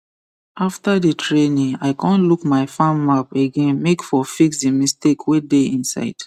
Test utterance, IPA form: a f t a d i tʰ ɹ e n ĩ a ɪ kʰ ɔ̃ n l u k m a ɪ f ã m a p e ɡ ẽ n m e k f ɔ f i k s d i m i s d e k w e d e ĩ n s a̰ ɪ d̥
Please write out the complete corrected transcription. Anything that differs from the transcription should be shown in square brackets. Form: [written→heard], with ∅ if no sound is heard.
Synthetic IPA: a f t a d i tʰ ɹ e n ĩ a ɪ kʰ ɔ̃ n l u k m a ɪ f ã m a p e ɡ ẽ n m e k f ɔ f i k s d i m i s [d→t] e k w e d e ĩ n s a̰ ɪ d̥